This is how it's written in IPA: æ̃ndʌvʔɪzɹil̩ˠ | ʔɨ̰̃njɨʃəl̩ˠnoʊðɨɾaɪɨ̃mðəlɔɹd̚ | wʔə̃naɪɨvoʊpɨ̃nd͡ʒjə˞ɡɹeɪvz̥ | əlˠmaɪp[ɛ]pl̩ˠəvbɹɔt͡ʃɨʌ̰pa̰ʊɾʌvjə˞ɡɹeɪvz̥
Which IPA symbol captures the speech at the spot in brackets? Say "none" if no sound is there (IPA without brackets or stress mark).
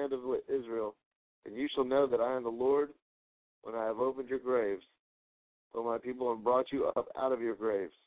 i